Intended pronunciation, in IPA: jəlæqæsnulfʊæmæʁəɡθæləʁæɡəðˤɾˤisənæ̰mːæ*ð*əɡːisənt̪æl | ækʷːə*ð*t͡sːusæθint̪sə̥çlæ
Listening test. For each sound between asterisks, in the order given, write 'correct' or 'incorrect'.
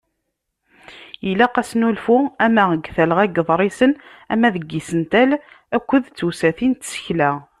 correct, correct

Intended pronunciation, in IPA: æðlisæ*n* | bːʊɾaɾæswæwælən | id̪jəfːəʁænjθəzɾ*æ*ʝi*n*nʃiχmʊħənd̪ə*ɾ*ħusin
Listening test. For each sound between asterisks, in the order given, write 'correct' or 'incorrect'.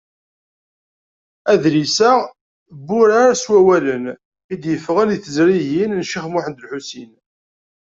incorrect, incorrect, correct, incorrect

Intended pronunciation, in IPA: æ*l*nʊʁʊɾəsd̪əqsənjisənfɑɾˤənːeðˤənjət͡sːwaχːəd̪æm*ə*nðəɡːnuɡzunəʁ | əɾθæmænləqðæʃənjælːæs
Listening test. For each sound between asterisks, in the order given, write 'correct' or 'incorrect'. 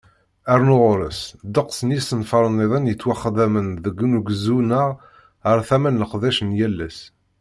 incorrect, correct

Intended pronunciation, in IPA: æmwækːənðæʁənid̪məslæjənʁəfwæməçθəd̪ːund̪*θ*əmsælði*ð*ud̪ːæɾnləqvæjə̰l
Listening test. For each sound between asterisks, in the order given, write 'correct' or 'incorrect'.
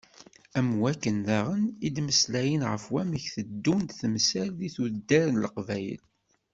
correct, incorrect

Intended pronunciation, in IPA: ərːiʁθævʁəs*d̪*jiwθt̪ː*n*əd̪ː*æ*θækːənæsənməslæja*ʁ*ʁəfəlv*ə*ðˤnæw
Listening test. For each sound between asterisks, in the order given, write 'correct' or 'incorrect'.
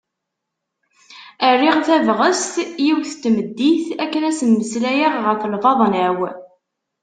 incorrect, incorrect, incorrect, correct, incorrect

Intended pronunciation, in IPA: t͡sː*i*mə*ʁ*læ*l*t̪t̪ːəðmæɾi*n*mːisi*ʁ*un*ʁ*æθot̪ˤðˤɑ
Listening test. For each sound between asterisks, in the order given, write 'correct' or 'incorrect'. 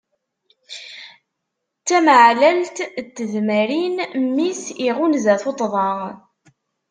incorrect, incorrect, correct, correct, correct, incorrect

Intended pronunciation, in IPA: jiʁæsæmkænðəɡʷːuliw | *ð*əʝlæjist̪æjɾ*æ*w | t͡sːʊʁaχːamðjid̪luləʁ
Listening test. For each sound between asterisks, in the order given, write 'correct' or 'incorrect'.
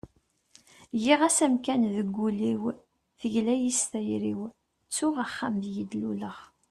incorrect, incorrect

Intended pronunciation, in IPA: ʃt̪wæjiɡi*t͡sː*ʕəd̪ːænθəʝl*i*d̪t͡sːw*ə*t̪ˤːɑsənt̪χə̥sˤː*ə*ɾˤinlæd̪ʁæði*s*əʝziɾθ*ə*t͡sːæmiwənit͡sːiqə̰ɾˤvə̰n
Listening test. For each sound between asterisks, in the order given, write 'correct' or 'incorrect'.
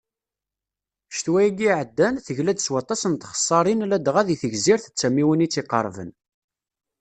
incorrect, incorrect, incorrect, incorrect, incorrect, correct

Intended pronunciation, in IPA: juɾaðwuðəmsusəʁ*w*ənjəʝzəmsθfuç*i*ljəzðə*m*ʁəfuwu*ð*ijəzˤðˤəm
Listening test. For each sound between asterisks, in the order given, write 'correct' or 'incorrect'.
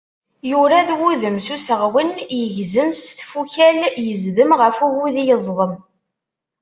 correct, incorrect, correct, correct

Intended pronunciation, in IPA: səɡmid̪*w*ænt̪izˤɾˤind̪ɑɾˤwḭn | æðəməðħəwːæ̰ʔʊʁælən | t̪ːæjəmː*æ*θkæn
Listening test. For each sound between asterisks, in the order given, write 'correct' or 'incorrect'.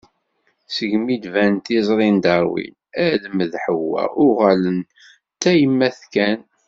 incorrect, correct

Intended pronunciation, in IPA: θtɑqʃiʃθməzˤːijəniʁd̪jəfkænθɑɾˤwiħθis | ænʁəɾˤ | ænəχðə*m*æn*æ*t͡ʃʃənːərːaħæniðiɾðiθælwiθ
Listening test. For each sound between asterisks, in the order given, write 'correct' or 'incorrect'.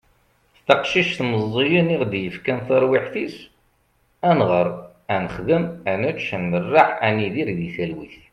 correct, correct

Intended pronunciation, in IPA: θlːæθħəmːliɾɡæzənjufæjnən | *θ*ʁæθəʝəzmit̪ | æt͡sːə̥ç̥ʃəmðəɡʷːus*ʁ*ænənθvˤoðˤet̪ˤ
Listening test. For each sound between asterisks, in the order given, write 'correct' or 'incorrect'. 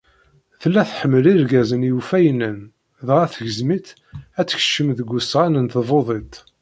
incorrect, correct

